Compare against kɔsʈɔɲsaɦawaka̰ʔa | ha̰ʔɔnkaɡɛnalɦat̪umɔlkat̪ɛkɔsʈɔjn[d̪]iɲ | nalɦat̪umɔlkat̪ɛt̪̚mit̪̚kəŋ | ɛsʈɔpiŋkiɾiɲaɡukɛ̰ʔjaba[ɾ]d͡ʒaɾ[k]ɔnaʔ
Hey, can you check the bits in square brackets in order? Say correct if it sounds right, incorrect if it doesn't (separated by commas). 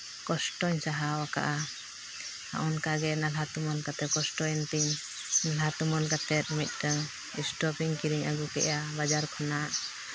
incorrect, incorrect, incorrect